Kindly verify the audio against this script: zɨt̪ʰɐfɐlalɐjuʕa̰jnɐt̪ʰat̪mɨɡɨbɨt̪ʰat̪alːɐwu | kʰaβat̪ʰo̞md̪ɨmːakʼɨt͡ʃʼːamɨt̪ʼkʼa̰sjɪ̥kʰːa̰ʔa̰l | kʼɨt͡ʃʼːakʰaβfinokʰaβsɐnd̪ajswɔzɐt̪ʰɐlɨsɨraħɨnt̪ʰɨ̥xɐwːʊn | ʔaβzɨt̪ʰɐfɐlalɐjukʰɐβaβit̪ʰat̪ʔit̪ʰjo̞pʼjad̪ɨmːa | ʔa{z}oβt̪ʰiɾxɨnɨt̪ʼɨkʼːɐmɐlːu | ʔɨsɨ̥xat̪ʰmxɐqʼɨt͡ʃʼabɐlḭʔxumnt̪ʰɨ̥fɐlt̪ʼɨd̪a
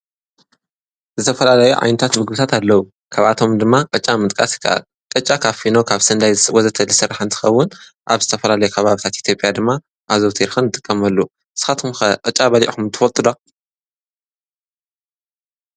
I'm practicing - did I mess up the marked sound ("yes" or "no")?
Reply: no